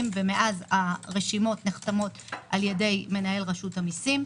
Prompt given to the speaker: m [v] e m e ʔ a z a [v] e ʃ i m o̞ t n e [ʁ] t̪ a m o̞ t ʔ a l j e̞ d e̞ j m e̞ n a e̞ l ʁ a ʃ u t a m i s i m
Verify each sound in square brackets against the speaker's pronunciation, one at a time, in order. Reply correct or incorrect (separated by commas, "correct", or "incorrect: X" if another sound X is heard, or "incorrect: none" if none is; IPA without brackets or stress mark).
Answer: correct, incorrect: ʁ, incorrect: χ